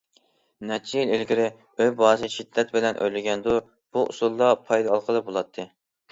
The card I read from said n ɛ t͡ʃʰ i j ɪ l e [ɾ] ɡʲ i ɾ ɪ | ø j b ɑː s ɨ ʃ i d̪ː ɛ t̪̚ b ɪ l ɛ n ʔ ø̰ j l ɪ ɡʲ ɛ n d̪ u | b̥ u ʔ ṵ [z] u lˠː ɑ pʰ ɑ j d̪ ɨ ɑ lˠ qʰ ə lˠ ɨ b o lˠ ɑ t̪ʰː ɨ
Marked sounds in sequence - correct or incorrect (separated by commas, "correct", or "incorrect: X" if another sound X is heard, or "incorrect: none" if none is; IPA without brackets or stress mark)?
incorrect: l, incorrect: s